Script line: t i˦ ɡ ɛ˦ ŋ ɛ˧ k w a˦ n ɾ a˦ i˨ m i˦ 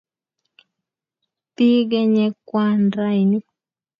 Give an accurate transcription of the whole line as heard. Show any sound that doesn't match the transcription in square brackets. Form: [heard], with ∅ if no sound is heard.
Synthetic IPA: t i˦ ɡ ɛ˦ [ɲ] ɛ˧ k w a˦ n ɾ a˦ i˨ [n] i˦